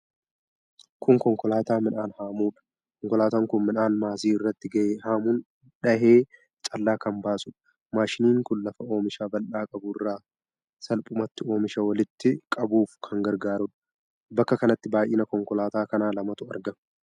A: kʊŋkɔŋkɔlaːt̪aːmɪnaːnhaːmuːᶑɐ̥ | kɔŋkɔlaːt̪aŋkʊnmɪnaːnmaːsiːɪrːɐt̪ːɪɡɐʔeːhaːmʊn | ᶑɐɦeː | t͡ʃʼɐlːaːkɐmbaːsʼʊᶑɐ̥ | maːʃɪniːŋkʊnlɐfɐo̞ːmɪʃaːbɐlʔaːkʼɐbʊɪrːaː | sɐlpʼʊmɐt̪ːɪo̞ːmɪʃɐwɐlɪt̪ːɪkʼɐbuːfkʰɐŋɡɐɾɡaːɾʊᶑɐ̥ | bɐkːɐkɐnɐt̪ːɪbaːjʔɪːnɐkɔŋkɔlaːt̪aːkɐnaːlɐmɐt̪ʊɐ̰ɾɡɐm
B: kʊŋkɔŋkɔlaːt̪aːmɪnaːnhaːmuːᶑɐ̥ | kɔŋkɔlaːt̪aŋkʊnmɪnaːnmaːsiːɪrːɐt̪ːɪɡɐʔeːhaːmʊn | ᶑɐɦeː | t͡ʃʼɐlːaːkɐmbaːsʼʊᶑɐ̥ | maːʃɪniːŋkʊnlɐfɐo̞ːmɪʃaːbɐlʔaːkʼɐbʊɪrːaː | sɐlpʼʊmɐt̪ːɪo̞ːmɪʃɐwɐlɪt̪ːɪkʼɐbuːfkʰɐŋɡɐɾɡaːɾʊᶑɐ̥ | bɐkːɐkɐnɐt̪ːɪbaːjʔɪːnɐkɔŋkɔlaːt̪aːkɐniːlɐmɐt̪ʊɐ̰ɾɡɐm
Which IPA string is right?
A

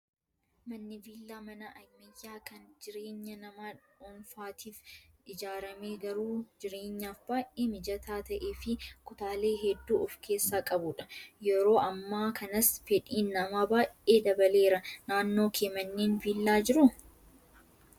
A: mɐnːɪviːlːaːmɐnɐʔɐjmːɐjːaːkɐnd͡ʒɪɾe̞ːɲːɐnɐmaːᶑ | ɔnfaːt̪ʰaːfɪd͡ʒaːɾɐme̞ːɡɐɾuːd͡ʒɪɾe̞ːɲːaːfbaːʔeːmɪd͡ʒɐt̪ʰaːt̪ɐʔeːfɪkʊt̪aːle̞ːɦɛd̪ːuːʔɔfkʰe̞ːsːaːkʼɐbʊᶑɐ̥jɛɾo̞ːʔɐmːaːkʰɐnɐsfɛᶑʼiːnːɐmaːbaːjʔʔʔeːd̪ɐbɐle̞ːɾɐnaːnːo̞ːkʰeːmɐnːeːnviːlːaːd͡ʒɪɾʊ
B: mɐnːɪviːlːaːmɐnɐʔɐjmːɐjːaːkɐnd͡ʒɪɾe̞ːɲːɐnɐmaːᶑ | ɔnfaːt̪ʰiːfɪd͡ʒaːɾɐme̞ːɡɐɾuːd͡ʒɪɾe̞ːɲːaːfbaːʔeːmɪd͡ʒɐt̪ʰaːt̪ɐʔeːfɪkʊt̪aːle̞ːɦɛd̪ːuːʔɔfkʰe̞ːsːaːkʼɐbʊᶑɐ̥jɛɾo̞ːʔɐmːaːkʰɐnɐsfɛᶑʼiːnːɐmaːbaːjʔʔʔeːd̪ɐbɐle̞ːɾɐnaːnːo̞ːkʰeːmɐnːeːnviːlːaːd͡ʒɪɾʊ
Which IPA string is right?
B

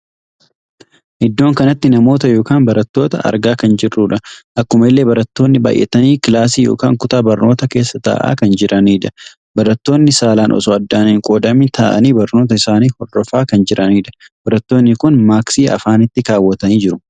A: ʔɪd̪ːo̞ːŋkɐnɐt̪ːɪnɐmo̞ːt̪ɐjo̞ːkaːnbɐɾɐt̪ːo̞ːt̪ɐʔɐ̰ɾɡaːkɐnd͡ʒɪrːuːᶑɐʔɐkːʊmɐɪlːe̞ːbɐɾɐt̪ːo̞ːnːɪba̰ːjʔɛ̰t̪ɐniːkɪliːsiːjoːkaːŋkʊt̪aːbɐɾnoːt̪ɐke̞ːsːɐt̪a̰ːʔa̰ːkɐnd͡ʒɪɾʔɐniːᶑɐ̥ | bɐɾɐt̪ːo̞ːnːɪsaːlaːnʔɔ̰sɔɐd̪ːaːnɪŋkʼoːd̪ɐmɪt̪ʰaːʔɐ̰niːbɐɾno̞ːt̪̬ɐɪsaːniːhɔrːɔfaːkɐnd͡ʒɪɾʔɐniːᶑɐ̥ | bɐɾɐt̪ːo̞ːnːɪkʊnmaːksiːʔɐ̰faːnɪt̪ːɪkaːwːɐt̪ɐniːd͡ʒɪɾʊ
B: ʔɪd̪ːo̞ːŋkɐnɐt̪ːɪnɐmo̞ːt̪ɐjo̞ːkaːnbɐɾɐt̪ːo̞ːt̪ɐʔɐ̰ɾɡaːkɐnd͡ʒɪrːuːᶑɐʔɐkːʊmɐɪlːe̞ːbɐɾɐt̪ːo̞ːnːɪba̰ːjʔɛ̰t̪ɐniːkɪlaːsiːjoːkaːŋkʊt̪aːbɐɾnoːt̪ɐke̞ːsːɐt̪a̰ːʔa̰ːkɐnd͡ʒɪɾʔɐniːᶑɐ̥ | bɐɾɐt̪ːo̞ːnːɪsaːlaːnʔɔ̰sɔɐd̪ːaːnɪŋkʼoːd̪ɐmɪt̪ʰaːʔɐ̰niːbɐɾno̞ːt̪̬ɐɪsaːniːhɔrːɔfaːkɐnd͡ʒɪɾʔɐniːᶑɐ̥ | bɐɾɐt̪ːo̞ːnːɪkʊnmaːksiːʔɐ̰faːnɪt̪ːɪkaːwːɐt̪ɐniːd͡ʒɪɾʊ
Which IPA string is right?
B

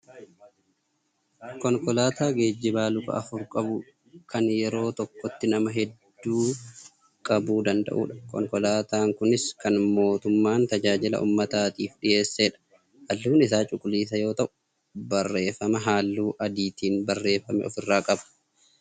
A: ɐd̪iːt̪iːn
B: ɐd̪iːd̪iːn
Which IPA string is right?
A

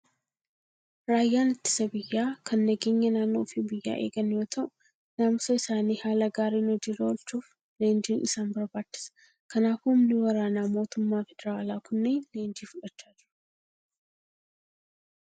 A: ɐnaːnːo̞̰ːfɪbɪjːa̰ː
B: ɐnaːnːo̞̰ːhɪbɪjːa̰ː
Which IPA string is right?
A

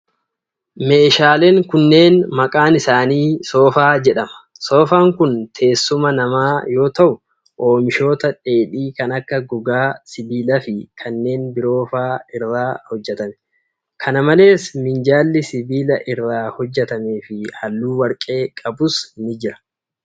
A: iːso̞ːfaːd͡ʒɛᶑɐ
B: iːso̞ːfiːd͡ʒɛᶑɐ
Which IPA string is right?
A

